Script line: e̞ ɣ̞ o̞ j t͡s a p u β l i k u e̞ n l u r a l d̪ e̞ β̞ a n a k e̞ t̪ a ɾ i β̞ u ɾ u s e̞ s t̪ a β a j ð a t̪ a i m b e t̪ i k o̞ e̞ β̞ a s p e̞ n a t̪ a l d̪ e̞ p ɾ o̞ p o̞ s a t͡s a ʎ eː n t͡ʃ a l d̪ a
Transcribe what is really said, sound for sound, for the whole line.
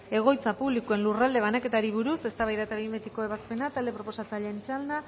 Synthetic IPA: e̞ ɣ̞ o̞ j t͡s a p u β l i k u e̞ n l u r a l d̪ e̞ β̞ a n a k e̞ t̪ a ɾ i β̞ u ɾ u s e̞ s t̪ a β a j ð a t̪ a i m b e t̪ i k o̞ e̞ β̞ a s p e̞ n a t̪ a l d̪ e̞ p ɾ o̞ p o̞ s a t͡s a ʎ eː n t͡ʃ a l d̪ a